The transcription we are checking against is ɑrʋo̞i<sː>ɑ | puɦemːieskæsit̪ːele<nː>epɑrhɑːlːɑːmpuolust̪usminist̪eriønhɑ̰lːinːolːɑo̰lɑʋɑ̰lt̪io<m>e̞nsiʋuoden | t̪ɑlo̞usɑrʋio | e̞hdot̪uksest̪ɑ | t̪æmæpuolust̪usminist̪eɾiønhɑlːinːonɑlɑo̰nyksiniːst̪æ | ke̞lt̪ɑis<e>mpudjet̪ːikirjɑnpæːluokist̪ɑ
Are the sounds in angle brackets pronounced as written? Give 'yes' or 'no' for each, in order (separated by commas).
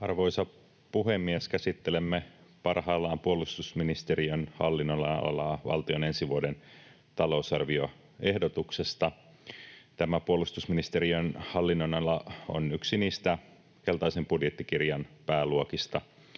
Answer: no, no, no, yes